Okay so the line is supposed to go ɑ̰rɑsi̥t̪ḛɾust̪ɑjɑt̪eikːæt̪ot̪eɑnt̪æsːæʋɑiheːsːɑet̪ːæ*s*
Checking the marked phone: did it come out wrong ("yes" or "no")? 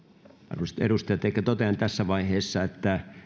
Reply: yes